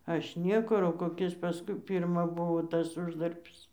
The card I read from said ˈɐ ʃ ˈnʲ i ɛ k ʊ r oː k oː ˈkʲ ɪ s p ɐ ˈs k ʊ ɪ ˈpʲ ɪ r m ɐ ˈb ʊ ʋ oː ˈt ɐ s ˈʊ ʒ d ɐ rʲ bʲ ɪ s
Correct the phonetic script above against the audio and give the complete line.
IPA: ˈɐ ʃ ˈnʲ i ɛ k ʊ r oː k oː ˈkʲ ɪ s p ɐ ˈs k ʊ ɪ ˈpʲ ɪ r m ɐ ˈb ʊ ʋ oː ˈt ɐ s ˈʊ ʒ d ɐ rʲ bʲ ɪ s

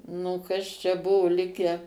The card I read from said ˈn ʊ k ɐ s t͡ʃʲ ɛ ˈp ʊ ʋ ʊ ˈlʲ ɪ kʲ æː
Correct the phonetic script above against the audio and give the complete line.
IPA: ˈn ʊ k ɐ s t͡ʃʲ ɛ ˈb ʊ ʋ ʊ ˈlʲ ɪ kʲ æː

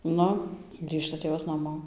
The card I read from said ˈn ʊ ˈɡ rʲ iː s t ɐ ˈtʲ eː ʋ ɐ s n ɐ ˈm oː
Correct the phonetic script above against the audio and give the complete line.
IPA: ˈn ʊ ˈɡ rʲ iː ʃ t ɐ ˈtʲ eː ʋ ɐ s n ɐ ˈm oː

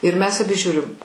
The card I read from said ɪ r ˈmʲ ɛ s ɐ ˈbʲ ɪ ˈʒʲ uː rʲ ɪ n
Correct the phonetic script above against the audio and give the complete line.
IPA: ɪ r ˈmʲ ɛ s ɐ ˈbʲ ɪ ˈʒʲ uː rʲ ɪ m

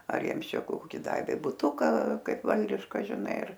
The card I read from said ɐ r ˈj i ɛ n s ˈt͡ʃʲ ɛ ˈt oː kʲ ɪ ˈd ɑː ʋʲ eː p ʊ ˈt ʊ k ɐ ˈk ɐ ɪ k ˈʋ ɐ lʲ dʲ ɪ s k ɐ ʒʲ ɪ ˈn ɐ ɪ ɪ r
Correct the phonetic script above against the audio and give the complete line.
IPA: ɐ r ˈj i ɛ m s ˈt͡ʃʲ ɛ ˈk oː kʲ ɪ ˈd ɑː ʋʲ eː b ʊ ˈt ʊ k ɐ ˈk ɐ ɪ p ˈʋ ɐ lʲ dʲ ɪ ʃ k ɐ ʒʲ ɪ ˈn ɐ ɪ ɪ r

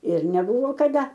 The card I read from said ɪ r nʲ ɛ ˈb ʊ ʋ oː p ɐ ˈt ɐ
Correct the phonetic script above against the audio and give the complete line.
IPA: ɪ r nʲ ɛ ˈb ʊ ʋ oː k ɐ ˈd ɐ

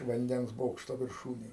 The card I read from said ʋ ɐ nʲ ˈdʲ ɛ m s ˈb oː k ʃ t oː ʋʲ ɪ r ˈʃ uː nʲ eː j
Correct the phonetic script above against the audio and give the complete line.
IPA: ʋ ɐ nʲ ˈdʲ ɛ n s ˈb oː k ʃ t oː ʋʲ ɪ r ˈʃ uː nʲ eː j

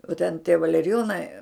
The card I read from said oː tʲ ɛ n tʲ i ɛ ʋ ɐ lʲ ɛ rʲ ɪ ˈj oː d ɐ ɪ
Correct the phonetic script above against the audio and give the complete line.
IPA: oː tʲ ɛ n tʲ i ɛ ʋ ɐ lʲ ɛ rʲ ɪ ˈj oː n ɐ ɪ

